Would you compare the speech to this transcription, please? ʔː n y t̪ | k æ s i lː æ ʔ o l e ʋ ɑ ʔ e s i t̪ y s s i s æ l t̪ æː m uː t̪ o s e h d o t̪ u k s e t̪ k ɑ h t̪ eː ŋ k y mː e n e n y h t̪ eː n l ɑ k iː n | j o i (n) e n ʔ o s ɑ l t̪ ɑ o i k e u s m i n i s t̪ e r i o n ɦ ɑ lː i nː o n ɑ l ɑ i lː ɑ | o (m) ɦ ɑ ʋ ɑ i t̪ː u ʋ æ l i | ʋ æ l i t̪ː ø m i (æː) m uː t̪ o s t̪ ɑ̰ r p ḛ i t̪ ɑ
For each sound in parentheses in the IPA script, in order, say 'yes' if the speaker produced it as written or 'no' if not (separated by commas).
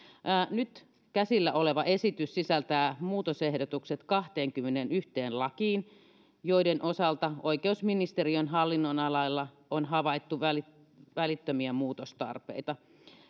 no, no, no